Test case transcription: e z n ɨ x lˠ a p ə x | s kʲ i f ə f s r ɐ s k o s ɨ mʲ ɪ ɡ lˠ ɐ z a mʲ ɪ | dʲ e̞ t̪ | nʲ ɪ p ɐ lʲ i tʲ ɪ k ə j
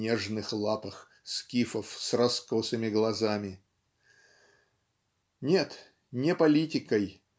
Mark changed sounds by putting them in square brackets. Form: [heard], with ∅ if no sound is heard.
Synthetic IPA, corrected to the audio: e [ʐ] n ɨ x lˠ a p ə x | s kʲ i f ə f s r ɐ s k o s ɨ mʲ ɪ ɡ lˠ ɐ z a mʲ ɪ | [nʲ] e̞ t̪ | nʲ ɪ p ɐ lʲ i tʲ ɪ k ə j